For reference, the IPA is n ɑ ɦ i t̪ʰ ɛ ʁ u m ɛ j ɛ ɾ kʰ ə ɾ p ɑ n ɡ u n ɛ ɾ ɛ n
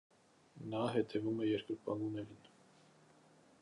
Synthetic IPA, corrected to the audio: n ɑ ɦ ɛ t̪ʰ ɛ v u m ɛ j ɛ ɾ k ə ɾ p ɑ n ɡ u n ɛ ɾ i n